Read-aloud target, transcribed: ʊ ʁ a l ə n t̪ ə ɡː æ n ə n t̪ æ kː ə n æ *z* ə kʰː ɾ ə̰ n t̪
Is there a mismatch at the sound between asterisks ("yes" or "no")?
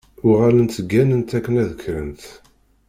yes